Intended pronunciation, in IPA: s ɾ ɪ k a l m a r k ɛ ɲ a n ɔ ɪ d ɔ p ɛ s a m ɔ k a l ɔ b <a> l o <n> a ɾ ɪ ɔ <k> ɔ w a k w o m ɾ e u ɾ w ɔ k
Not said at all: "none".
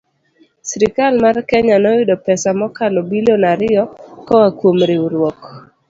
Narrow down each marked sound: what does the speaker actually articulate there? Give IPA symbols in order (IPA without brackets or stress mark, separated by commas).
i, n, k